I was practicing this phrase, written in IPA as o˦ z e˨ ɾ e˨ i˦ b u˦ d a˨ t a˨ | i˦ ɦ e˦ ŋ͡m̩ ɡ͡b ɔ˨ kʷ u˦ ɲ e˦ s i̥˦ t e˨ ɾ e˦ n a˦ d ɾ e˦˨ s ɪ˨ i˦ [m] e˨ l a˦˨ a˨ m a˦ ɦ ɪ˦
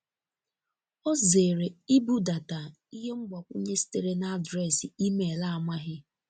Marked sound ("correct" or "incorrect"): correct